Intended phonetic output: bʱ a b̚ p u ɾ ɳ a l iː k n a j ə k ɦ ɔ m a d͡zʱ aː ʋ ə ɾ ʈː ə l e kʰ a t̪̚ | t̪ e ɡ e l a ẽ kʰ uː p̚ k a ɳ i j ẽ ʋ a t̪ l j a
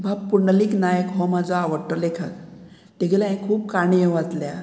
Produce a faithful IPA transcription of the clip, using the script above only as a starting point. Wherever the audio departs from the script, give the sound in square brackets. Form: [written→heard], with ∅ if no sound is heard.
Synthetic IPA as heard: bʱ a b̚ p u ɾ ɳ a l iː k n a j ə k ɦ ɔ m a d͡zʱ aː ʋ ə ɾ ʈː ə l e kʰ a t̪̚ | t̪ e ɡ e l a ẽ kʰ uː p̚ k a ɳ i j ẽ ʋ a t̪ l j a